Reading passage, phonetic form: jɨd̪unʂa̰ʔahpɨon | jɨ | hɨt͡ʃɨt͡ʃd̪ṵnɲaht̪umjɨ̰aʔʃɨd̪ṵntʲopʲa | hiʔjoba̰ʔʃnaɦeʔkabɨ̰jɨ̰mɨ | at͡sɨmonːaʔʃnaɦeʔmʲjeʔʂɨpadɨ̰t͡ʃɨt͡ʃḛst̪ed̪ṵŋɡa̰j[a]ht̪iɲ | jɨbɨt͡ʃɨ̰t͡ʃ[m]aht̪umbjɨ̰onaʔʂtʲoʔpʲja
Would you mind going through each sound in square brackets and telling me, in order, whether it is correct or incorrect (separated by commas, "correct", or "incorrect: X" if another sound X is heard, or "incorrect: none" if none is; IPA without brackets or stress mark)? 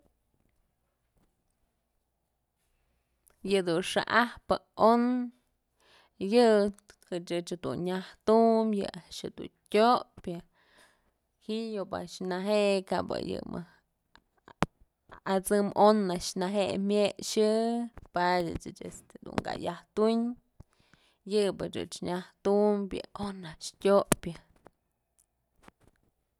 correct, incorrect: ɲ